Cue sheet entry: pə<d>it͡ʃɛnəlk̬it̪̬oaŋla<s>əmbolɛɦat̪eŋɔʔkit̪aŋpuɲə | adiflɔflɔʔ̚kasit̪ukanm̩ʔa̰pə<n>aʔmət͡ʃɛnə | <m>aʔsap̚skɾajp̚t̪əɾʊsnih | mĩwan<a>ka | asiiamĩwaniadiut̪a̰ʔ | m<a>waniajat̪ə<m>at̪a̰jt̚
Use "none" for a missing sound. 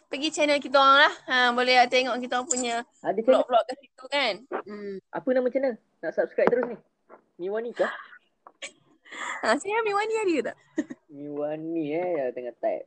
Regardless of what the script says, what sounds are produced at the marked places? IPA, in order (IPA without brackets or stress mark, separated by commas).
ɡ, h, n, n, i, i, ŋ